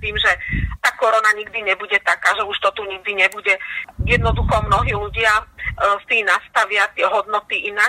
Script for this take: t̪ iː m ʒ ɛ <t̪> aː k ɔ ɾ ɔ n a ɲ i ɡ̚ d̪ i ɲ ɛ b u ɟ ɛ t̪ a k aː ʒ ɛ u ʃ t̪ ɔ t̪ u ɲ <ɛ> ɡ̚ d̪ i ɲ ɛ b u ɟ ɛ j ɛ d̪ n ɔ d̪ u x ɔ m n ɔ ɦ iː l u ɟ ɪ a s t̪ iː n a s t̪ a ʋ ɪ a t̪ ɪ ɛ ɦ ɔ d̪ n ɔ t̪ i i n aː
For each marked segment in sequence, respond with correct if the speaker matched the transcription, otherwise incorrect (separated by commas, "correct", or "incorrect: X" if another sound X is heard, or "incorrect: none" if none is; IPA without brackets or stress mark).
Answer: correct, incorrect: i